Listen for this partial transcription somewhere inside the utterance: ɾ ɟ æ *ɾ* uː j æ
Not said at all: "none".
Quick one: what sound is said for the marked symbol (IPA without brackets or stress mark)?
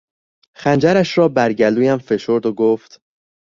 l